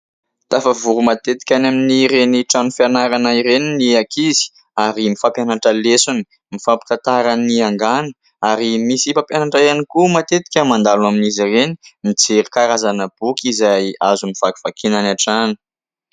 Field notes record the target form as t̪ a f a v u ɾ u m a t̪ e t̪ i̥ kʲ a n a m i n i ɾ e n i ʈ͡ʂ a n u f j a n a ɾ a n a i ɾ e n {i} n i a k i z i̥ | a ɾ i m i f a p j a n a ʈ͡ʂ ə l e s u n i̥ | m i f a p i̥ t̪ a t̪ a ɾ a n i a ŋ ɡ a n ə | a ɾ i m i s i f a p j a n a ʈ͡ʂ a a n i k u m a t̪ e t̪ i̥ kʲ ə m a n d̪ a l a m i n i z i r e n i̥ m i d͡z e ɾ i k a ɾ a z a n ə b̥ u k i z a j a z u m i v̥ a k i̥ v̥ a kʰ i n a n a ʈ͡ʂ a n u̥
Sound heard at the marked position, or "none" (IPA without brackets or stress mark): i